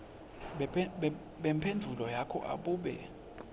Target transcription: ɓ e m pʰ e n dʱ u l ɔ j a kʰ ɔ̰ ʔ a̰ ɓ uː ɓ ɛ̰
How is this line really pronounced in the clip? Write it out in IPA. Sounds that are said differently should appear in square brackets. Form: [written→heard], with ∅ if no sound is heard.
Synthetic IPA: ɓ [e→ɛ] m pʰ e n dʱ u l ɔ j a kʰ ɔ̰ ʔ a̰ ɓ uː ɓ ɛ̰